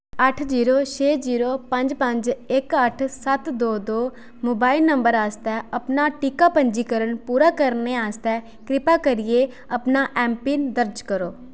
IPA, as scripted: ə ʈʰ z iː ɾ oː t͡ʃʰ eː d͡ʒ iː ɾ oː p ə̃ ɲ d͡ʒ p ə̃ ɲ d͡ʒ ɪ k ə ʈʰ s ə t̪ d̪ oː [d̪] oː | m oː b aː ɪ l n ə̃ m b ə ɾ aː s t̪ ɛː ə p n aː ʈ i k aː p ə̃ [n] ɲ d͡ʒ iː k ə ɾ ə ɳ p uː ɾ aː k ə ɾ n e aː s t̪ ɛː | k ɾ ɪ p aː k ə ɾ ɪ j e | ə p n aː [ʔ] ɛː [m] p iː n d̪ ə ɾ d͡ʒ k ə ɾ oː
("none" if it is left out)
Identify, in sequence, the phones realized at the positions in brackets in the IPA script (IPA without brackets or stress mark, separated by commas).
d̪, none, ʔ, m